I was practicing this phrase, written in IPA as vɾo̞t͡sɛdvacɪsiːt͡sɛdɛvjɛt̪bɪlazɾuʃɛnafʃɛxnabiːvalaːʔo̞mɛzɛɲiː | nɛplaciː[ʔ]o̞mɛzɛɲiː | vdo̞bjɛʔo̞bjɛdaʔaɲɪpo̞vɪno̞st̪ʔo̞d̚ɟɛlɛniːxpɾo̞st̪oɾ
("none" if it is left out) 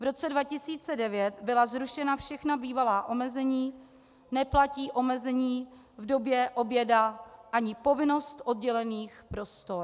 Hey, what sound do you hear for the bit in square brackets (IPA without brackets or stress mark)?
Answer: ʔ